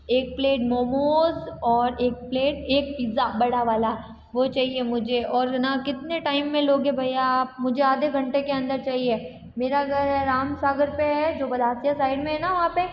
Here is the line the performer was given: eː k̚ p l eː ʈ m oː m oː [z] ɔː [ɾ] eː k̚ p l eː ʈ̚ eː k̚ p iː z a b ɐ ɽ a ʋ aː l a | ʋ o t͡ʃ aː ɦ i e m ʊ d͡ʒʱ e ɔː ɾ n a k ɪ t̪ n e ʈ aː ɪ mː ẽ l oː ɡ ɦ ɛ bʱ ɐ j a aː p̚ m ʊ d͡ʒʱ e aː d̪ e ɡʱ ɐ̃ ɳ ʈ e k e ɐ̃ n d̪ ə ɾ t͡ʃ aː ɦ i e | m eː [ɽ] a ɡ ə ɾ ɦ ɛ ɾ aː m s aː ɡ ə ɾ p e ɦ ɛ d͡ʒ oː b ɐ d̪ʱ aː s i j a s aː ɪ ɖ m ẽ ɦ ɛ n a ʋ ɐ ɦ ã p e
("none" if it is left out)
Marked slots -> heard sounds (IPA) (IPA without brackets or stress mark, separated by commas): z, ɾ, ɾ